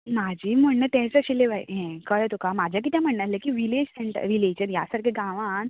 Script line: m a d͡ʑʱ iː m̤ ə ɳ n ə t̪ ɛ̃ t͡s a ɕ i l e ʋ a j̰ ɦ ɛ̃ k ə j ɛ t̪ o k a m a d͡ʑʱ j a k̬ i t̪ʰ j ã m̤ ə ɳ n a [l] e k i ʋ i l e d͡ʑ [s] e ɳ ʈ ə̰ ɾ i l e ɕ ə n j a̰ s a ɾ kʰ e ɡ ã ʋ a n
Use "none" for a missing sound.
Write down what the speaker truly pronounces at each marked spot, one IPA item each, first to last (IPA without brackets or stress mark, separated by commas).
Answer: l, s